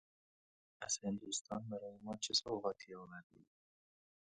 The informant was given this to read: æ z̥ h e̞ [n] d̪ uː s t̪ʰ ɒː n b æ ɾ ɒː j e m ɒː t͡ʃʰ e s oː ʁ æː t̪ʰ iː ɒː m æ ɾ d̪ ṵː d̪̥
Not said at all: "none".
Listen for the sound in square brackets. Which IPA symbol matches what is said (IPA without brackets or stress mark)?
n